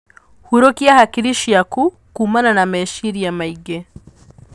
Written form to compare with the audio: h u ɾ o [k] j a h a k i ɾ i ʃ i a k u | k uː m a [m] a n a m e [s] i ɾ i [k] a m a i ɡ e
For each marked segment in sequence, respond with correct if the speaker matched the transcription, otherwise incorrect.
correct, incorrect, incorrect, incorrect

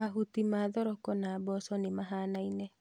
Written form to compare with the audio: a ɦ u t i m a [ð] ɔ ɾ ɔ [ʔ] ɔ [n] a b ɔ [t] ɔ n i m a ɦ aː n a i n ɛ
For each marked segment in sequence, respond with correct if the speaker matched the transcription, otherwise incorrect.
correct, incorrect, correct, incorrect

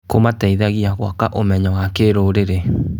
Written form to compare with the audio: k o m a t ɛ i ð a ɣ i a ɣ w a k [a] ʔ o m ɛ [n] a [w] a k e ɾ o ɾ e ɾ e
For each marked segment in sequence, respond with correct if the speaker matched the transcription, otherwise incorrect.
correct, incorrect, correct

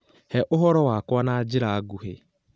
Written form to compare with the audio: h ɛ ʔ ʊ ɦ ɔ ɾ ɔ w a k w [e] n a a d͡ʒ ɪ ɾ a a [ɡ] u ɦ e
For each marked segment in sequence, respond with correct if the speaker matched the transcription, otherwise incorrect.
incorrect, correct

